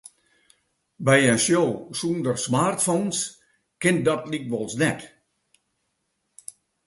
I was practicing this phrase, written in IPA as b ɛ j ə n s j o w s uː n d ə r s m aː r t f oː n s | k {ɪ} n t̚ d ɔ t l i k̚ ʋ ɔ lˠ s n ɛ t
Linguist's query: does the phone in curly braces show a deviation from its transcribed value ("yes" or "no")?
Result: no